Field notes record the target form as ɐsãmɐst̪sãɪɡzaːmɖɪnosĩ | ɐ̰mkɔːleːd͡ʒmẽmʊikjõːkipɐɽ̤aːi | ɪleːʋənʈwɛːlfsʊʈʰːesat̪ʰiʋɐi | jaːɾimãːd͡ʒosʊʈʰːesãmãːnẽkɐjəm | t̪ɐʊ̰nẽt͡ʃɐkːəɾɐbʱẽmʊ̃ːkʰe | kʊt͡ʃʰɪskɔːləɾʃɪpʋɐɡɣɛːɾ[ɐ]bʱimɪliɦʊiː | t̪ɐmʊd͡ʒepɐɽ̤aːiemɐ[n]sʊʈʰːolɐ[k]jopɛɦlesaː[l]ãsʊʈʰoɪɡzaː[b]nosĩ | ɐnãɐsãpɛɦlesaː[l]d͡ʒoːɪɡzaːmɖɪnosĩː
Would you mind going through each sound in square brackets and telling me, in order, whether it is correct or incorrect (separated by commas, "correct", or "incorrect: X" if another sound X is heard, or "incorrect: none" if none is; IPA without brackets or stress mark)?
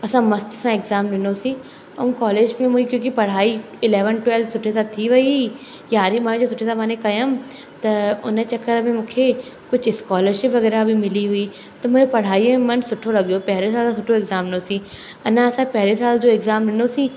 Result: incorrect: a, correct, incorrect: ɡ, correct, incorrect: m, correct